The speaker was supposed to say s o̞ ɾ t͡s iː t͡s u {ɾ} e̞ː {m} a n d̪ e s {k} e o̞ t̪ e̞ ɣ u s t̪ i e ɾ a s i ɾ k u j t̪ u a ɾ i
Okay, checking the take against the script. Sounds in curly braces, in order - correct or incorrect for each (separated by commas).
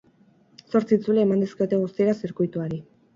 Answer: incorrect, correct, correct